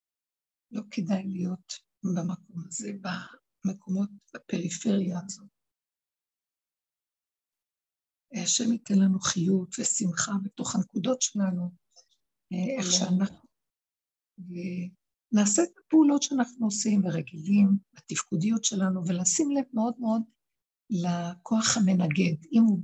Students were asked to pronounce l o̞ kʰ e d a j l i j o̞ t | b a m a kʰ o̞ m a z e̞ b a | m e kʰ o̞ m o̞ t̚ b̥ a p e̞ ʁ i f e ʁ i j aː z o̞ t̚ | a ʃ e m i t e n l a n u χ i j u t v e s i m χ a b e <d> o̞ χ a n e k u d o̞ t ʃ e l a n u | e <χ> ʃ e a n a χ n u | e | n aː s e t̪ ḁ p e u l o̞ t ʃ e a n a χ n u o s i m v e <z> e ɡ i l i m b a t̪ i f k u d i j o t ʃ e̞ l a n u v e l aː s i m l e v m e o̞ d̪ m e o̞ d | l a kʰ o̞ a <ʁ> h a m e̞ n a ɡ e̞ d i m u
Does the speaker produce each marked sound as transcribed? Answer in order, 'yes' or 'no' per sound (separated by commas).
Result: no, yes, no, no